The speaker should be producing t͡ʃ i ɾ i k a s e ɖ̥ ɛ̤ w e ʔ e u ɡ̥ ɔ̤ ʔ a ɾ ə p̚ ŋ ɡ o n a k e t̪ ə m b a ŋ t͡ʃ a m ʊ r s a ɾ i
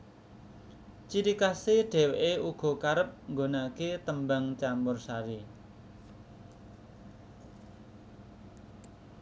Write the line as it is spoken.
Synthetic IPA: t͡ʃ i ɾ i k a s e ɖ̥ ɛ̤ w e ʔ e u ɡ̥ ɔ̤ k a ɾ ə p̚ ŋ ɡ o n a k e t̪ ə m b a ŋ t͡ʃ a m ʊ r s a ɾ i